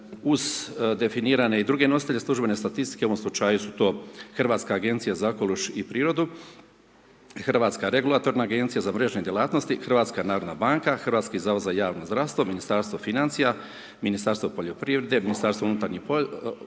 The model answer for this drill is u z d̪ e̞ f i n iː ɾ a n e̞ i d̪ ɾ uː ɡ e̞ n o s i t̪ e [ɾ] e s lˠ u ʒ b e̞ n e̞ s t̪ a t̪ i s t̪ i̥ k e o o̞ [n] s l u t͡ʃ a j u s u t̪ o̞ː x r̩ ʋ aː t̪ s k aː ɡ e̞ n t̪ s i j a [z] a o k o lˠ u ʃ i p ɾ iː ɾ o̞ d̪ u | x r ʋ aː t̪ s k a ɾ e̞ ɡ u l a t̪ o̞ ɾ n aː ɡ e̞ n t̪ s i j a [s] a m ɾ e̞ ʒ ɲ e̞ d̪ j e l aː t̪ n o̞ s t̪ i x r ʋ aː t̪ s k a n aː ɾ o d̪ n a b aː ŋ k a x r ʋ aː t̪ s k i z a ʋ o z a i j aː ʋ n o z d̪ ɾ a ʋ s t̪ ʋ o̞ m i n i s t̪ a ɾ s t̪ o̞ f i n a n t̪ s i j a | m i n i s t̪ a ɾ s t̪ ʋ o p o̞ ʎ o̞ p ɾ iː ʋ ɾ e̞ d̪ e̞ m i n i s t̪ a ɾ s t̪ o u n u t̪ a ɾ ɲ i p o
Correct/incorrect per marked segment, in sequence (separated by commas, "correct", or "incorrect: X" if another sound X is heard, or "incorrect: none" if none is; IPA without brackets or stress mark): incorrect: ʎ, incorrect: m, correct, incorrect: z